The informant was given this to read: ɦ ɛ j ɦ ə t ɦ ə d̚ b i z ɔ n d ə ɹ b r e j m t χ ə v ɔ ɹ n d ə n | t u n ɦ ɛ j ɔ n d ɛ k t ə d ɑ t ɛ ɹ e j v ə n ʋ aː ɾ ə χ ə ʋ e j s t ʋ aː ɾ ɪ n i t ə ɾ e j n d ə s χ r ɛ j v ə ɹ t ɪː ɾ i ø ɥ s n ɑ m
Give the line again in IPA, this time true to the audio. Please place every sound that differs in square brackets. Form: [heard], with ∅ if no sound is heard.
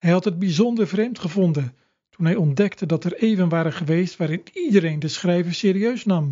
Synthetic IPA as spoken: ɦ ɛ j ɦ [ɑ] t ɦ ə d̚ b i z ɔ n d ə ɹ [v] r e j m t χ ə v ɔ [∅] n d ə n | t u n ɦ ɛ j ɔ n d ɛ k t ə d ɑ t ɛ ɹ e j v ə n ʋ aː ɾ ə χ ə ʋ e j s t ʋ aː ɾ ɪ n i [d] ə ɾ e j n d ə s χ r ɛ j v ə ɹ [s] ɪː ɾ i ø ɥ s n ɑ m